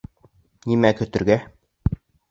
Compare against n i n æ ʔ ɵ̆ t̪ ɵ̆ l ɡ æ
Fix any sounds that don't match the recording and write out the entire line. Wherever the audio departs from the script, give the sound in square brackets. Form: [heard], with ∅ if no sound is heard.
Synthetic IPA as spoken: n i [m] æ [k] ɵ̆ t̪ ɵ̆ [ɾ] ɡ æ